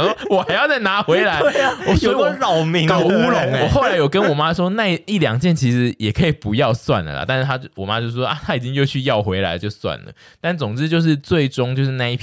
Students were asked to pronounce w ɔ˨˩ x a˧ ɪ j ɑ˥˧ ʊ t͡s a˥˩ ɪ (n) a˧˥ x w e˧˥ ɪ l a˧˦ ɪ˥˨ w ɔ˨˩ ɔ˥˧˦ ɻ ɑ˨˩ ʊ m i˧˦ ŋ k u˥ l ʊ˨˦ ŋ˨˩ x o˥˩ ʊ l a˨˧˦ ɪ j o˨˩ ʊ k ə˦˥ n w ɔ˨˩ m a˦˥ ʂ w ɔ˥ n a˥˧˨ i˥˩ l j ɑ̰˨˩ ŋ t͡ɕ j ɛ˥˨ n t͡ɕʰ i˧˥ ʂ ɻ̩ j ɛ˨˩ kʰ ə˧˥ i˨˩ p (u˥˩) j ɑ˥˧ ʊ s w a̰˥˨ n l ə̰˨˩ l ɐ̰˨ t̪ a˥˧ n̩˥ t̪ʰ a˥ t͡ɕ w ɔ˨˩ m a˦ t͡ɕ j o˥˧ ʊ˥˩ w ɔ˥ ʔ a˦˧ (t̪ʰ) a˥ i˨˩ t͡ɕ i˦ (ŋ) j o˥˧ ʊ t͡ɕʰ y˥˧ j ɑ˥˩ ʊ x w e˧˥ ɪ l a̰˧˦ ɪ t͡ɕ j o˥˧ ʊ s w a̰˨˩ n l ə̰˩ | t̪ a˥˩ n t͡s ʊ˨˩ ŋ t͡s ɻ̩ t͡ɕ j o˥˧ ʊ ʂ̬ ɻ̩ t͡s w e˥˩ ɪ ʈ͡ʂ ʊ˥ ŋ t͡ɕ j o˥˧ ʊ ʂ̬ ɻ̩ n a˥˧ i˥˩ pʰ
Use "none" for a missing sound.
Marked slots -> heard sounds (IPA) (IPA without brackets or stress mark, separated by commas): n, u˨˦, t̪ʰ, ŋ